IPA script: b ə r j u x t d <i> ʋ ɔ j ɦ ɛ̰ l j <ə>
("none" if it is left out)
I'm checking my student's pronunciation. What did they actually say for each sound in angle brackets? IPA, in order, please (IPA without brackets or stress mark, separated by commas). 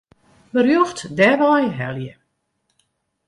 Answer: ɛ, ə